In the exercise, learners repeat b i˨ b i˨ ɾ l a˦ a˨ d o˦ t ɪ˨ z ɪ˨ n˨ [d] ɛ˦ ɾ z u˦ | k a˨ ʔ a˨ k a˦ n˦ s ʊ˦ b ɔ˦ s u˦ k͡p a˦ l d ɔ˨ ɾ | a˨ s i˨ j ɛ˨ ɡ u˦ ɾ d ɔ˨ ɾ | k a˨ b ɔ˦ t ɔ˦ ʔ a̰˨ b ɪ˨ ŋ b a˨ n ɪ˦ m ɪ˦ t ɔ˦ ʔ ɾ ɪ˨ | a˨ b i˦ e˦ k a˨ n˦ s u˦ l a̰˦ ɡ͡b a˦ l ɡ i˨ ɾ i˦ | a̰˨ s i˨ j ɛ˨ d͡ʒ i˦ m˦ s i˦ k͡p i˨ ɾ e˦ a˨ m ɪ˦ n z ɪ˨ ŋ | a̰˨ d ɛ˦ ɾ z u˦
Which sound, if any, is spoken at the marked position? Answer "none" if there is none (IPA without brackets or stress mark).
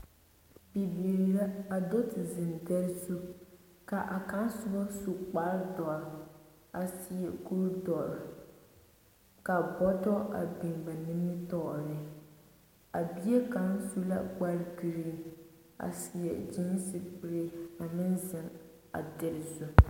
d